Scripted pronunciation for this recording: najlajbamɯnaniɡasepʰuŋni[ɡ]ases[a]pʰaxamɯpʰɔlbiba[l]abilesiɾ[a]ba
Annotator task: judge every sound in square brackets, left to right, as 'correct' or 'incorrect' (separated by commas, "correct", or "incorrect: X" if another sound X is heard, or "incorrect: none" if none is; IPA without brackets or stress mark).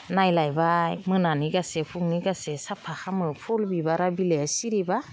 correct, correct, incorrect: ɾ, incorrect: i